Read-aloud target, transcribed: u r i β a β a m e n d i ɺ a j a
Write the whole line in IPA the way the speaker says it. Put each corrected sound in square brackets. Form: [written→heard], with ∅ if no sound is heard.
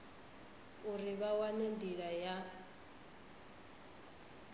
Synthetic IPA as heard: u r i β a [β→w] a [m→n] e n d i ɺ a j a

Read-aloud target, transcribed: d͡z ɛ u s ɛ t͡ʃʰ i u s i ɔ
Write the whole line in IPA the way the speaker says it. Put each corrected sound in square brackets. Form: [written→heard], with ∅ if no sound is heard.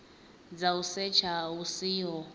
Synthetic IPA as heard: d͡z [ɛ→a] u s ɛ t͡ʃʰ [i→a] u s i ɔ

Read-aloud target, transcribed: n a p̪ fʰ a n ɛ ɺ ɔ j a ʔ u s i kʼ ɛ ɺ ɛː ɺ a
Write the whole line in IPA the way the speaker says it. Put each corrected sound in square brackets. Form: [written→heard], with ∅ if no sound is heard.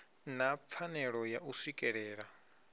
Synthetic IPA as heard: n a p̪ fʰ a n ɛ ɺ ɔ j a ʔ u s i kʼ ɛ ɺ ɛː ɺ a

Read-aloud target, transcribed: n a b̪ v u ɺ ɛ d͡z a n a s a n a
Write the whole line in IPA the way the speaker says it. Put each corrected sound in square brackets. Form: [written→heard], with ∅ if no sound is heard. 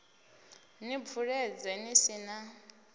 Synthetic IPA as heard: n [a→i] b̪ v u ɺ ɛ d͡z [a→ɛ] n [a→i] s [a→i] n a

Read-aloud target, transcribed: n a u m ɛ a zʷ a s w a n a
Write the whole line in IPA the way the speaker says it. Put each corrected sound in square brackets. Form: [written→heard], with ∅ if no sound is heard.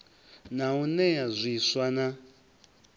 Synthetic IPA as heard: n a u [m→n] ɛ a zʷ [a→i] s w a n a

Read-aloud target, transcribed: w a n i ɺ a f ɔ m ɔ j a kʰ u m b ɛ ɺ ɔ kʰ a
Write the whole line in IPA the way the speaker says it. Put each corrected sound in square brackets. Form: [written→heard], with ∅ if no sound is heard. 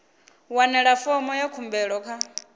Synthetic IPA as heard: w a n [i→ɛ] ɺ a f ɔ m ɔ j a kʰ u m b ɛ ɺ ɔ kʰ a

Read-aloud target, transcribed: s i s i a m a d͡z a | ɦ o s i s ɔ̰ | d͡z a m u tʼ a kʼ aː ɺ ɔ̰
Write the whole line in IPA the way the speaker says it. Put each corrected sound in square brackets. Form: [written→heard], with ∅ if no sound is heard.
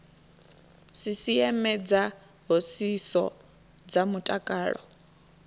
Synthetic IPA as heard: s i s i [a→ɛ] m [a→ɛ] d͡z a | ɦ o s i s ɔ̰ | d͡z a m u tʼ a kʼ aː ɺ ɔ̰

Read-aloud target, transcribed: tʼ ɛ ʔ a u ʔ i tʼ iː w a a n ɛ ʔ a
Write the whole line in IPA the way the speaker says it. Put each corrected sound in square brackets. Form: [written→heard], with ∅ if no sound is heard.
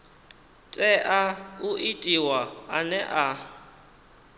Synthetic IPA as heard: tʼ ɛ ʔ a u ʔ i tʼ [iː→i] w a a n ɛ ʔ a

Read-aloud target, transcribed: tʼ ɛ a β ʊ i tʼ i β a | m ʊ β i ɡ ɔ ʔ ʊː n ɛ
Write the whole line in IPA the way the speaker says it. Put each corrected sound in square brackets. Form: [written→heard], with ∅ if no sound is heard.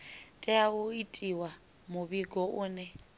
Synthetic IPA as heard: tʼ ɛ a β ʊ i tʼ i [β→w] a | m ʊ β i ɡ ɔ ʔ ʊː n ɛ

